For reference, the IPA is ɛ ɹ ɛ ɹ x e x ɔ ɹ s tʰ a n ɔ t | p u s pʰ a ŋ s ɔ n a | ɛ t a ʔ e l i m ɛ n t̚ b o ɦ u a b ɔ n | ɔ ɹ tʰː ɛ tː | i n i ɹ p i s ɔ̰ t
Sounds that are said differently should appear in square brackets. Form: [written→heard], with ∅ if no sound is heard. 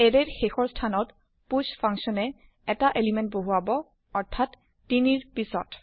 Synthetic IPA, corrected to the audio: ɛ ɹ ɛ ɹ x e x ɔ ɹ s tʰ a n ɔ t | p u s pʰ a ŋ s ɔ n [a→ɛ] | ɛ t a ʔ e l i m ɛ n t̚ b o ɦ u a b ɔ [n→∅] | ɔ ɹ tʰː [ɛ→a] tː | i n i ɹ p i s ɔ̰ t